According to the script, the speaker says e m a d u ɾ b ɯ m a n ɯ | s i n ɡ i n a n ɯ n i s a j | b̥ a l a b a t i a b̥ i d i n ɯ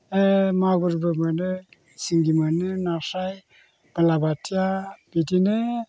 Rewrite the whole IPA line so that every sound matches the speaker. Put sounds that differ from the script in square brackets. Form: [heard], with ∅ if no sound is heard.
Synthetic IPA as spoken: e m a [ɡ] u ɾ b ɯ m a n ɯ | s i [ŋ] ɡ i [m] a n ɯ n [a] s a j | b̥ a l a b a t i a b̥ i d i n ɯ

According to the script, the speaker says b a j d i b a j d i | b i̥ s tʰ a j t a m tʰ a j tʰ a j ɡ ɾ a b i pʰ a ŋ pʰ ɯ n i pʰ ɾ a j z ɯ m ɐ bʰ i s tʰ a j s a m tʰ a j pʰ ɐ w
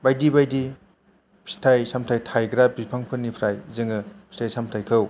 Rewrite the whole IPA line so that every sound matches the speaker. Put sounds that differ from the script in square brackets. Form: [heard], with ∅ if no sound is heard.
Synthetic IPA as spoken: b a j d i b a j d i | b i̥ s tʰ a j [s] a m tʰ a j tʰ a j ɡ ɾ a b i pʰ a ŋ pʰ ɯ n i pʰ ɾ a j z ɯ [ŋ] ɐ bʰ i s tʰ a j s a m tʰ a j [kʰ] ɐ w

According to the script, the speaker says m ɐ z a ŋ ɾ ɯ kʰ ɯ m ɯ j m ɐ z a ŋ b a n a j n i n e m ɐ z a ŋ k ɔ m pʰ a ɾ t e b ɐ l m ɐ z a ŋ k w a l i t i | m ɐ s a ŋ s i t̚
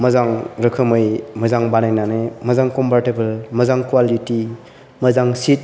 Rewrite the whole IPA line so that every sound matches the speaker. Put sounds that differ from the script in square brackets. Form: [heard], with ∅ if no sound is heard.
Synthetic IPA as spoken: m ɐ z a ŋ ɾ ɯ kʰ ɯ m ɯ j m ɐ z a ŋ b a n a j n [a] n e m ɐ z a ŋ k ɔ m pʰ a ɾ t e b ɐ l m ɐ z a ŋ k w a l i t i | m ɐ [z] a ŋ s i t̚

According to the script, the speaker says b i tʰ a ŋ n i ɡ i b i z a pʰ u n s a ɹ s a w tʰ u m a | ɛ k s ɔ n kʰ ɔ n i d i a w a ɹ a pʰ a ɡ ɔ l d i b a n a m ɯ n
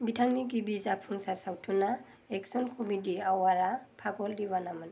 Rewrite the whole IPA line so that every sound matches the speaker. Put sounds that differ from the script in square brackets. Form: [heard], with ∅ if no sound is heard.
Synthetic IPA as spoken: b i tʰ a ŋ n i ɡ i b i z a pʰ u n s a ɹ s a w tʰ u [n] a | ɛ k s ɔ n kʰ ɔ [m] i d i a w a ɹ a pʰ a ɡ ɔ l d i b a n a m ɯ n

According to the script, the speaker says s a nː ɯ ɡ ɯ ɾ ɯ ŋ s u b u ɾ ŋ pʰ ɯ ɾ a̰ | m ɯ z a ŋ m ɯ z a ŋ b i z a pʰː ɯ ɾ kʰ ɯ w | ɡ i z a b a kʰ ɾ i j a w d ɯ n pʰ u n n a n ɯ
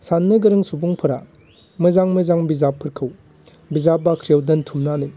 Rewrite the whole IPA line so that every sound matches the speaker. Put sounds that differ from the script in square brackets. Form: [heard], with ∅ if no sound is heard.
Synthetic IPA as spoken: s a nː ɯ ɡ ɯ ɾ ɯ ŋ s u b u [∅] ŋ pʰ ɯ ɾ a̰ | m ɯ z a ŋ m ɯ z a ŋ b i z a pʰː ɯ ɾ kʰ ɯ w | [b] i z a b a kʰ ɾ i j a w d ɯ n [tʰ] u [m] n a n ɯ

